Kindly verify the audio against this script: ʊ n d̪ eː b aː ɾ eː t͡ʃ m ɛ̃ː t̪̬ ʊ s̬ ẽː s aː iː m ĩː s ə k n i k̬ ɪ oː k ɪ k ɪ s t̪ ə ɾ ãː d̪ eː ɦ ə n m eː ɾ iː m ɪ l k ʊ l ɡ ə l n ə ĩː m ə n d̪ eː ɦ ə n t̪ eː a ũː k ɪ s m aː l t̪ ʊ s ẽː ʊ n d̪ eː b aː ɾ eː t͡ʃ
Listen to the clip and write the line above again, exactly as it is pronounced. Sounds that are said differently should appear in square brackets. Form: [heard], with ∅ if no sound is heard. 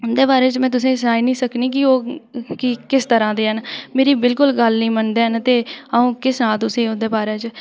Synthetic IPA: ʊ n d̪ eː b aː ɾ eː t͡ʃ m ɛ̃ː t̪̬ ʊ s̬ ẽː s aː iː [n] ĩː s ə k n [iː] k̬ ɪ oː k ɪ k ɪ s t̪ ə ɾ ãː d̪ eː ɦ ə n m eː ɾ iː [b] ɪ l k ʊ l ɡ ə l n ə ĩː m ə n d̪ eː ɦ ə n t̪ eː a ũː k ɪ s [n] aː l t̪ ʊ s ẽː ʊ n d̪ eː b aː ɾ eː t͡ʃ